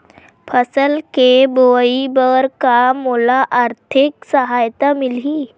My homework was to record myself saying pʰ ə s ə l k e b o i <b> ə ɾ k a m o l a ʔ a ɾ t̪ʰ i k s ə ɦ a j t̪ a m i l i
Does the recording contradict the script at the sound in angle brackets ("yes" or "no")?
no